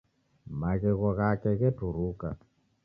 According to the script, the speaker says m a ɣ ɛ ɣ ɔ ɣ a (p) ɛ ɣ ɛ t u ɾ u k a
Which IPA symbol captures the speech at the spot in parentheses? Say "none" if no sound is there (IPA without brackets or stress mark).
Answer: k